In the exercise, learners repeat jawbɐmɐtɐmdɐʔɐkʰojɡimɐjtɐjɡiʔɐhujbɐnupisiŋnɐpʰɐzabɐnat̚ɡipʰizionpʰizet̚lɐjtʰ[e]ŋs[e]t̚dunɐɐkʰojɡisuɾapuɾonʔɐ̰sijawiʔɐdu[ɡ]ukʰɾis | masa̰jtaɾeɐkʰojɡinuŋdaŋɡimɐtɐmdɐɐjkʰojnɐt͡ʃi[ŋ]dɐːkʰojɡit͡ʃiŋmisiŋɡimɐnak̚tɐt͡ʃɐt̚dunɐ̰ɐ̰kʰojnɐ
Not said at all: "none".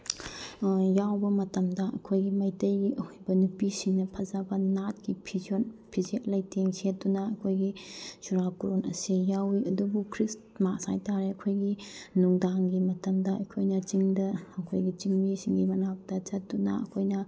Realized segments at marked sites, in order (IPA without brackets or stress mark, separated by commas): e, e, b, ŋ